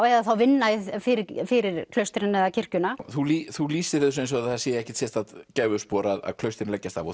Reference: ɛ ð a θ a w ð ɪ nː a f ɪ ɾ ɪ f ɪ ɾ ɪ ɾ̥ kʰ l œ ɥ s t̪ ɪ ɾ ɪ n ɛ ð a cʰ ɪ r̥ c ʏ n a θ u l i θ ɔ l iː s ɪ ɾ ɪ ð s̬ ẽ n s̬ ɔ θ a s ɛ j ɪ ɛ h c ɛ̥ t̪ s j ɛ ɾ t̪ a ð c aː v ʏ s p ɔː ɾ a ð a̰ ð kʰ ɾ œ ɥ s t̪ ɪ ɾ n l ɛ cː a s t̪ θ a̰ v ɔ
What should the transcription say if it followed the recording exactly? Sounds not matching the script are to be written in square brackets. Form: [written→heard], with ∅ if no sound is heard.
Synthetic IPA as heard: ɛ ð a θ a w [ð→v] ɪ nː a f ɪ ɾ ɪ f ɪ ɾ ɪ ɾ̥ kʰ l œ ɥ s t̪ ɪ ɾ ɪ n ɛ ð a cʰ ɪ r̥ c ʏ n a θ u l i θ [ɔ→u] l iː s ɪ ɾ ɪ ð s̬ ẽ n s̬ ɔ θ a s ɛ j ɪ ɛ h c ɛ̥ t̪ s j ɛ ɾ t̪ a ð c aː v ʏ s p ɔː ɾ a ð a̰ ð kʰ [ɾ→l] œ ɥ s t̪ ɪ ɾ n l ɛ cː a s t̪ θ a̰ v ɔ